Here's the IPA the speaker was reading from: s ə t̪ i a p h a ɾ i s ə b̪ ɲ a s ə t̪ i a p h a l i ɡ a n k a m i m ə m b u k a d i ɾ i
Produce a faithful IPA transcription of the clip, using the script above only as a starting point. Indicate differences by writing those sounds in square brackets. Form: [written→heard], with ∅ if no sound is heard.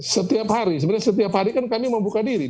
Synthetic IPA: s ə t̪ i a p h a ɾ i s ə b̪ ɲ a s ə t̪ i a p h a [l→ɾ] i [ɡ→k] a n k a m i m ə m b u k a d i ɾ i